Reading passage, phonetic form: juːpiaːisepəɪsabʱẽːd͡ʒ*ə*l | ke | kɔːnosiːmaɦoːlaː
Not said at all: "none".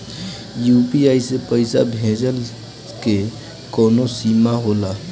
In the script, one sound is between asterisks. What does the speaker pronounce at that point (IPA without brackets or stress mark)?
ə